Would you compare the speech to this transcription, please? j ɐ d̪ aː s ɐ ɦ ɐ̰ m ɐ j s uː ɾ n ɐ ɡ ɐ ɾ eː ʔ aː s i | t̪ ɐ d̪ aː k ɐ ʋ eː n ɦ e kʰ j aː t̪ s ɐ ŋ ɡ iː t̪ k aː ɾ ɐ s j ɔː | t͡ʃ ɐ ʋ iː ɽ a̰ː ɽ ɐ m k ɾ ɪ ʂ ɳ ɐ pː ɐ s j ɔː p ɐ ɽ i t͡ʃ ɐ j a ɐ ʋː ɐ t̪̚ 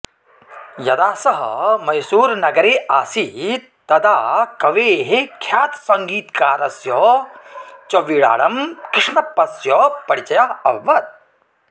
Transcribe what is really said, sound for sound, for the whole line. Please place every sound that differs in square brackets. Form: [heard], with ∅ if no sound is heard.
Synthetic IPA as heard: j ɐ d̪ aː s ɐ ɦ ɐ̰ m ɐ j s uː ɾ n ɐ ɡ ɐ ɾ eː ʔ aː s i | t̪ ɐ d̪ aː k ɐ ʋ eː [∅] ɦ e kʰ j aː t̪ s ɐ ŋ ɡ iː t̪ k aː ɾ ɐ s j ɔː | t͡ʃ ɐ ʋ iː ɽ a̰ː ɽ ɐ m k ɾ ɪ ʂ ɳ ɐ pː ɐ s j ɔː p ɐ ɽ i t͡ʃ ɐ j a ɐ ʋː ɐ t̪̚